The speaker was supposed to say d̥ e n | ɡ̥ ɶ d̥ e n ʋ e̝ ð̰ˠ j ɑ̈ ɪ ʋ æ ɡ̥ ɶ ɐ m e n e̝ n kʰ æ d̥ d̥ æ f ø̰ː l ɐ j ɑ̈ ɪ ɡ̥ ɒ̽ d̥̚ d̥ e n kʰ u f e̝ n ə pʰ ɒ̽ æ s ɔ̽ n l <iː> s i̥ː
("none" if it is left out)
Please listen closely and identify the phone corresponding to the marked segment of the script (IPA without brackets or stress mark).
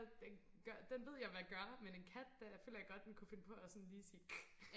iː